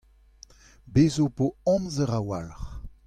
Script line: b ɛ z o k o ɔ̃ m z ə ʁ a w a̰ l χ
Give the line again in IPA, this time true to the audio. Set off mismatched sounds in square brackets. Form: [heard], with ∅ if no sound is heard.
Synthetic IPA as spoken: b [e] z o [p] o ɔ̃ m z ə ʁ a w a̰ l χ